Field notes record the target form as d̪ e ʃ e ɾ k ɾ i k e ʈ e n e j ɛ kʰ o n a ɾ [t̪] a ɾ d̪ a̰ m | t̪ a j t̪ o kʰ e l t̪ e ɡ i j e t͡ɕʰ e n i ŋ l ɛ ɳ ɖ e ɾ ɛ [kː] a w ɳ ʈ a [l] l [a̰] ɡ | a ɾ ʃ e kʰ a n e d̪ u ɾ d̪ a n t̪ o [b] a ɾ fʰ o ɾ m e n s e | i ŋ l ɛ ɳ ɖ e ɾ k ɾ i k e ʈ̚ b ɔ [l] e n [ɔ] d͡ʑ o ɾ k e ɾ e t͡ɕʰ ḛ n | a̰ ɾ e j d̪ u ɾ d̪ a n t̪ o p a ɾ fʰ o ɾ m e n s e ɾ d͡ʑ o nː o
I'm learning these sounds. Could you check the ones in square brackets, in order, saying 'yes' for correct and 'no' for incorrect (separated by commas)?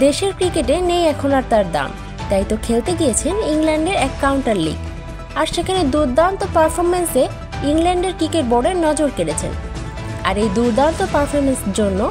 yes, yes, no, no, no, no, yes